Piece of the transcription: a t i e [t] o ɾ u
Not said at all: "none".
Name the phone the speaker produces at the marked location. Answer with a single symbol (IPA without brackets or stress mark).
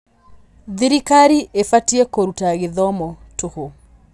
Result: k